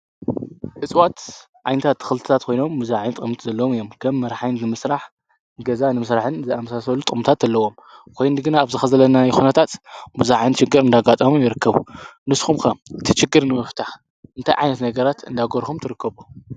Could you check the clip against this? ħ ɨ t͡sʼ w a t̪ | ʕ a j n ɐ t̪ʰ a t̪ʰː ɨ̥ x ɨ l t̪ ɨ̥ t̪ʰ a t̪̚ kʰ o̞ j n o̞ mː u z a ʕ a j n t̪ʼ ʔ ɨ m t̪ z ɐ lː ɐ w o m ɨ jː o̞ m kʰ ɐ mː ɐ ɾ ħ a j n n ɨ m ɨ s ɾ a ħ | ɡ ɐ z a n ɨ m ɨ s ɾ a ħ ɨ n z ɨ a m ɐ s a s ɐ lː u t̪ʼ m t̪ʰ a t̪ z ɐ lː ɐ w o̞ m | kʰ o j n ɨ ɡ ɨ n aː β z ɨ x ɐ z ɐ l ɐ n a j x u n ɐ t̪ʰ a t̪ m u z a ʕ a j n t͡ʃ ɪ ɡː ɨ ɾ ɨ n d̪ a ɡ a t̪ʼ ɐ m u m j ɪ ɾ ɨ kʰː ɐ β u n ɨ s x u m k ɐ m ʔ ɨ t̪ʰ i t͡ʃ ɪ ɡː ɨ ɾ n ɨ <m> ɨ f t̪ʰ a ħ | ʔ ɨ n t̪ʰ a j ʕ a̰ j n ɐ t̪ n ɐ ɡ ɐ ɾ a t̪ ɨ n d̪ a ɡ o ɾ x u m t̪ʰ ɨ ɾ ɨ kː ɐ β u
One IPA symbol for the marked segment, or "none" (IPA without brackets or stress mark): m